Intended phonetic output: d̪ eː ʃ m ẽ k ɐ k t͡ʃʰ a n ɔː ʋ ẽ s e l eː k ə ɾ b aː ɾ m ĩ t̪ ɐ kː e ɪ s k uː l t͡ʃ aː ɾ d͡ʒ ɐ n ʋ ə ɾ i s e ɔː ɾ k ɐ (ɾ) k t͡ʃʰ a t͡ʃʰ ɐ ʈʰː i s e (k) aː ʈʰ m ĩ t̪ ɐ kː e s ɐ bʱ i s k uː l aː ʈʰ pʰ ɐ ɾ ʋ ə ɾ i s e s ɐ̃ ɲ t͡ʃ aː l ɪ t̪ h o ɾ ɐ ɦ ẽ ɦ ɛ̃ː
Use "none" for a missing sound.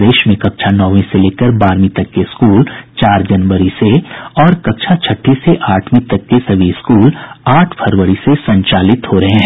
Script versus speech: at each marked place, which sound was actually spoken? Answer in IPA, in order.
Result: none, ʔ

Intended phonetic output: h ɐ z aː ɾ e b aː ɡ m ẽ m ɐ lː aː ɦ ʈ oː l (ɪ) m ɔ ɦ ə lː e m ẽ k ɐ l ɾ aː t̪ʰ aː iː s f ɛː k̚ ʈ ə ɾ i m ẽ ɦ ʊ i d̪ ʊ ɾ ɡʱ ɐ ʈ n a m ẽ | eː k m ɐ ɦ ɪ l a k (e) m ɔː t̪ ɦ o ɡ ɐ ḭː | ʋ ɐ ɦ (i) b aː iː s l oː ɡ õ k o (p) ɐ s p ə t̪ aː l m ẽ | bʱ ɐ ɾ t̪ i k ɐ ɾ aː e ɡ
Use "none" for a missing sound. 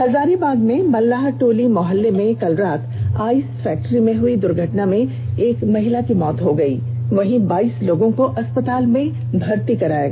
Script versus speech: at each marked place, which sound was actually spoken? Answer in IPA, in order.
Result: i, i, ĩ, ʔ

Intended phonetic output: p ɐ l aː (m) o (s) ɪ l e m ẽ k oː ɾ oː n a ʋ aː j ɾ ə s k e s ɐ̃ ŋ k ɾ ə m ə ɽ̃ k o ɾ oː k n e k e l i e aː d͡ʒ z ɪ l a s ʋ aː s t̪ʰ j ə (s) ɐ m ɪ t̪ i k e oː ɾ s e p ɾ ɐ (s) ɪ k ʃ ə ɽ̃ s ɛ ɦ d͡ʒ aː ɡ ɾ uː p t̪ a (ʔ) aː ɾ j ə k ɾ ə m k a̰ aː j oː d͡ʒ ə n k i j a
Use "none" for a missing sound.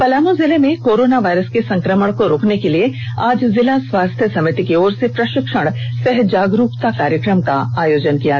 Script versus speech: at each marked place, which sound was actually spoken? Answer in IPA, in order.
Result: m, z, s, ʃ, k

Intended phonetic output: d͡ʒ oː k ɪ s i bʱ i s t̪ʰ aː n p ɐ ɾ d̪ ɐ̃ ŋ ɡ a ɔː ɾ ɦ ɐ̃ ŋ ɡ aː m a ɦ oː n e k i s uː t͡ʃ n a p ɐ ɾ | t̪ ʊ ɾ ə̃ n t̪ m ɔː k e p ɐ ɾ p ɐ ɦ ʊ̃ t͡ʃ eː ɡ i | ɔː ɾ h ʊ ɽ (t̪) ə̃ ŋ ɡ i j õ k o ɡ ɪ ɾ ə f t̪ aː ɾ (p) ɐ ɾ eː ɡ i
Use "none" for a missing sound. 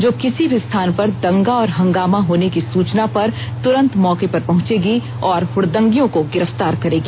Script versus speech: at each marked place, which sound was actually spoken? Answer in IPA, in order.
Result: d̪, k

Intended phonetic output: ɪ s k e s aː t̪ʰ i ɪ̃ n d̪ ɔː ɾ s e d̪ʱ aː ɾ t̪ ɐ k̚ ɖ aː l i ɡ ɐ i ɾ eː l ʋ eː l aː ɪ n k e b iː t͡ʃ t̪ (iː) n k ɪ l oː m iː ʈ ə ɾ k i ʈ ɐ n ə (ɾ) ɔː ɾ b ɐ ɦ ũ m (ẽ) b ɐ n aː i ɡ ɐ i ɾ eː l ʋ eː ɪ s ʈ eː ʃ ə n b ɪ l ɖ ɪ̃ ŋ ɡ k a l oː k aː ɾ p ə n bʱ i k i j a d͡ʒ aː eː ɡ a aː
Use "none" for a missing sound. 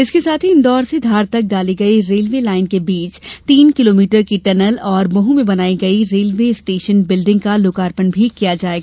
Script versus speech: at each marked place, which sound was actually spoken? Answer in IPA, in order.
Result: iː, l, ẽ

